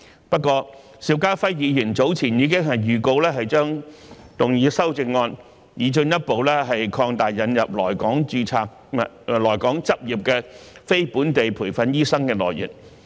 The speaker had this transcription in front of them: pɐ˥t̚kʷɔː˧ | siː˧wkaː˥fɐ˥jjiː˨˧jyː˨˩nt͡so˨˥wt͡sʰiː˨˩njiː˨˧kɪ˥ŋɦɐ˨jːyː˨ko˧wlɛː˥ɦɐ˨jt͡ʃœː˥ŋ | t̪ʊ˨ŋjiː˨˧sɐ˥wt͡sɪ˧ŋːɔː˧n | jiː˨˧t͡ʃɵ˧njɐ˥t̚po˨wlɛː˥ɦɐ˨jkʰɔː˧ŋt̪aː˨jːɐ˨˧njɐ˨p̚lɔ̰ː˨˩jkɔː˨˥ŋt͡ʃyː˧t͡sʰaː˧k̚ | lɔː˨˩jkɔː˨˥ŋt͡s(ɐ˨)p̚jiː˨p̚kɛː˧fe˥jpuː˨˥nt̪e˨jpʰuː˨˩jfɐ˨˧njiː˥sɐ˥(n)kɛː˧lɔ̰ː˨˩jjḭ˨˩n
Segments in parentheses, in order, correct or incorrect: incorrect: ɐ˥, incorrect: ŋ

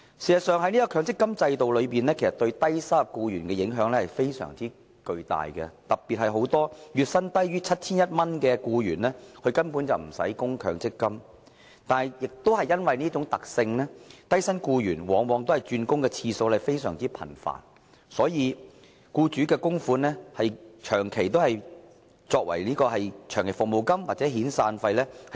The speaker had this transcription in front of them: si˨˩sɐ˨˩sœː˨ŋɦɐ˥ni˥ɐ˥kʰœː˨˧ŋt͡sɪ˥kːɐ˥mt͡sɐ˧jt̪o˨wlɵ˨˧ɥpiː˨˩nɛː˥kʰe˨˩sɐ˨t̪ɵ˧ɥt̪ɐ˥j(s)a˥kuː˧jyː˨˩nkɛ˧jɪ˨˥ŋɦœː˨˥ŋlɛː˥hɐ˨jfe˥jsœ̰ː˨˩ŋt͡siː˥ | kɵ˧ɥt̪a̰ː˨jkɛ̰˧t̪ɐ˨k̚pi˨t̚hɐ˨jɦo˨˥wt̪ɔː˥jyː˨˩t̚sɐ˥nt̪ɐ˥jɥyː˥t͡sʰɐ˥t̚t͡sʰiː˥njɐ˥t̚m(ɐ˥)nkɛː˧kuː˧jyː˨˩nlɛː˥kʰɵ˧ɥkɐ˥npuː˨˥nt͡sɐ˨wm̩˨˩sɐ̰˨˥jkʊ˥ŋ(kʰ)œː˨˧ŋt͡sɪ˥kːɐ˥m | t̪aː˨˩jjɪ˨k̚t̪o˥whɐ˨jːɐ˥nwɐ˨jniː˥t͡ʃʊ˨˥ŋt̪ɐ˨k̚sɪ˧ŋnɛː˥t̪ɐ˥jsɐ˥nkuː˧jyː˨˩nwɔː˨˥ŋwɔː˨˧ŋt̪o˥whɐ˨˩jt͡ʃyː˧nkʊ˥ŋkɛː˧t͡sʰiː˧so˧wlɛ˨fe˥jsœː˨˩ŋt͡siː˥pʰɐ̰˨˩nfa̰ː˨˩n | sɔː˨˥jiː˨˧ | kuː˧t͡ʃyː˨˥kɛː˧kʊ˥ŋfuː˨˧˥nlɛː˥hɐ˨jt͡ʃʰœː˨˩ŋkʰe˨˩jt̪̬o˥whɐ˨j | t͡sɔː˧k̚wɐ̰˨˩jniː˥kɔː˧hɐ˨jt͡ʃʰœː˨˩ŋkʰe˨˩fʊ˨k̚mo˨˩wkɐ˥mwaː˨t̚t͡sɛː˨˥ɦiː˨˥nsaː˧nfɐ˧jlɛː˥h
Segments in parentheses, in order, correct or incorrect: correct, correct, correct

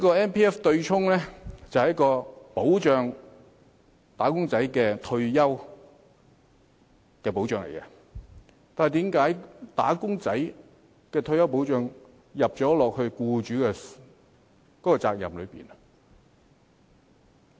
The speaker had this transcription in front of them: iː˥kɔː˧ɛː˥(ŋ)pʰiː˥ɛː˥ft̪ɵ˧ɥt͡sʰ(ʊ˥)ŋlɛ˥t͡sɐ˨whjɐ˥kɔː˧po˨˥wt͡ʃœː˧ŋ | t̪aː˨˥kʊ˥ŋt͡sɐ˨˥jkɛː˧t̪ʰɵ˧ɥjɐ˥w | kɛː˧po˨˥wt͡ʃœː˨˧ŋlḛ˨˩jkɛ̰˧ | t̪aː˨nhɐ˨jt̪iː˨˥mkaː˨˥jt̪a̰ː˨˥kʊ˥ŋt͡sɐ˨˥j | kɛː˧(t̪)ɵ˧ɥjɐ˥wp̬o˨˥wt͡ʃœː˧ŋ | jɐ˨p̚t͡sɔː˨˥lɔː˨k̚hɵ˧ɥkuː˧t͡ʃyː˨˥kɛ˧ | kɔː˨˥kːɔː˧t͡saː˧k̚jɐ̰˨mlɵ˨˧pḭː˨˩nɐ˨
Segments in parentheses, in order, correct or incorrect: incorrect: n, correct, incorrect: t̪ʰ

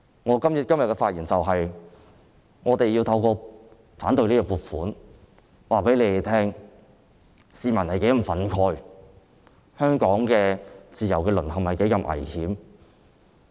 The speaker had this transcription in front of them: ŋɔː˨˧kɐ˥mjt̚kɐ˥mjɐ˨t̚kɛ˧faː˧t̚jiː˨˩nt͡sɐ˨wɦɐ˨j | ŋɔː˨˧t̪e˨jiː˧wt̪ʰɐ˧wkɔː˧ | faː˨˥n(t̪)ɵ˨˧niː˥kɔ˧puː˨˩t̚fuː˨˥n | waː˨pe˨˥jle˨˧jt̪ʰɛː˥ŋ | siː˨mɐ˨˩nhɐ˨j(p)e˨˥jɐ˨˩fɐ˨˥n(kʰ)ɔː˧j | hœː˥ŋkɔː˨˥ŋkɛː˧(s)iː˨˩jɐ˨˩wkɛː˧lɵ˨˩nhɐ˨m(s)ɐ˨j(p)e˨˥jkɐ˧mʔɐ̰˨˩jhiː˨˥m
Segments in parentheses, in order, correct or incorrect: correct, incorrect: k, correct, incorrect: t͡s, incorrect: h, incorrect: k

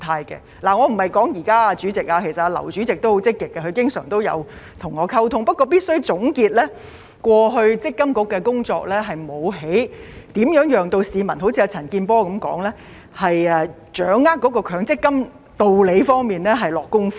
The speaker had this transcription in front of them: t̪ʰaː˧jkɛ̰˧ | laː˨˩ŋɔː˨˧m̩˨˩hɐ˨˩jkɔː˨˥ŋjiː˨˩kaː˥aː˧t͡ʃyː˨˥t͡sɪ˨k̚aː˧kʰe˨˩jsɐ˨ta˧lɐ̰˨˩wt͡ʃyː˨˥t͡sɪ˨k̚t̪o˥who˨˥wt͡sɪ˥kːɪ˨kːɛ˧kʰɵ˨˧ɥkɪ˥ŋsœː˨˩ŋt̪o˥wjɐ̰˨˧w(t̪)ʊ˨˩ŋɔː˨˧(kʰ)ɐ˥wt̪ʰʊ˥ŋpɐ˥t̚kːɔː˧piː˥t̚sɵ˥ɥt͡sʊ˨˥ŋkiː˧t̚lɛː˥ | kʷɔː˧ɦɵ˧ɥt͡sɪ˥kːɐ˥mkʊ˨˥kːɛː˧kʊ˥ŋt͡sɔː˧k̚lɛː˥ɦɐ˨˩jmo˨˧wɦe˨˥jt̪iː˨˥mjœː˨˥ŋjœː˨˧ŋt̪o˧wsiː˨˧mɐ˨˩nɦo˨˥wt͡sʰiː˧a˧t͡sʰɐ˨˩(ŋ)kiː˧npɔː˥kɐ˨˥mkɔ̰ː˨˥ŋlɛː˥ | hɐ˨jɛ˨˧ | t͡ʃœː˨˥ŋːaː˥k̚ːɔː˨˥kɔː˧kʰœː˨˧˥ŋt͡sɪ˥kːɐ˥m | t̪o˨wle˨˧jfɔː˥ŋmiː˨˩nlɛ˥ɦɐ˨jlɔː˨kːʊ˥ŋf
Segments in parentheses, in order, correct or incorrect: incorrect: t̪ʰ, correct, incorrect: n

